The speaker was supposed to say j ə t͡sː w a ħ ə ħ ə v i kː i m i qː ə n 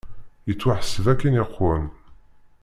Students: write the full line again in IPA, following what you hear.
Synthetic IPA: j ə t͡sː w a ħ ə s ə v æ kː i n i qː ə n

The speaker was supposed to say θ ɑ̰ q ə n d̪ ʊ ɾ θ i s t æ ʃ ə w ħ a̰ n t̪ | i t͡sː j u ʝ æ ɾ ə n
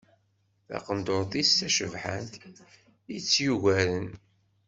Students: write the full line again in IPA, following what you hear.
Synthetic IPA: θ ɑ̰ q ə n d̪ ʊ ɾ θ i s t æ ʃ ə v ħ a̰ n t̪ | i t͡sː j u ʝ æ ɾ ə n

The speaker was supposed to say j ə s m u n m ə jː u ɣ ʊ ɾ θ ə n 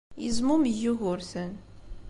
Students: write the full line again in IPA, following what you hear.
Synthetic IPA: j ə z m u m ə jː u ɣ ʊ ɾ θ ə n

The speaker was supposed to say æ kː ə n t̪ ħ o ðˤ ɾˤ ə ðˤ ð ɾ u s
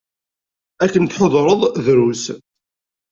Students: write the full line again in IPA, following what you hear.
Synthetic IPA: æ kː ə n t̪ ħ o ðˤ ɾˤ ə ðˤ ð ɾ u s

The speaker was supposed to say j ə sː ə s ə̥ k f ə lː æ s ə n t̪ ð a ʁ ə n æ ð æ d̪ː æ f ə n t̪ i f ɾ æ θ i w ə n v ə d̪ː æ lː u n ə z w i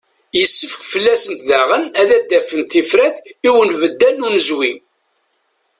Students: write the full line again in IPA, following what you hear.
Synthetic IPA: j ə sː ə f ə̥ k f ə lː æ s ə n t̪ ð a ʁ ə n æ ð æ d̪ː æ f ə n t̪ i f ɾ æ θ i w ə n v ə d̪ː æ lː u n ə z w i

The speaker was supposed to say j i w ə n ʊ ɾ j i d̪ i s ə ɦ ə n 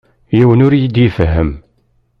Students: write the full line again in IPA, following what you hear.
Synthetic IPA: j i w ə n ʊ ɾ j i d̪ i f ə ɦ ə m

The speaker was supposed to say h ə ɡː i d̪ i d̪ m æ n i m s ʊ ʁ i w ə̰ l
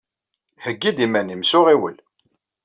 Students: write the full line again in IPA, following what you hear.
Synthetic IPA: h ə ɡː i d̪ i m æ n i m s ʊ ʁ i w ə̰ l

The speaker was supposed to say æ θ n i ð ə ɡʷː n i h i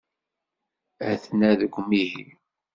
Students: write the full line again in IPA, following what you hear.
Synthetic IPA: æ θ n æ ð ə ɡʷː m i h i

